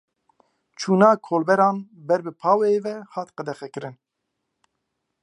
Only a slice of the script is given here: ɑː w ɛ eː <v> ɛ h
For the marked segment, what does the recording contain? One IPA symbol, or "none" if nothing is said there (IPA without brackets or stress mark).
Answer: v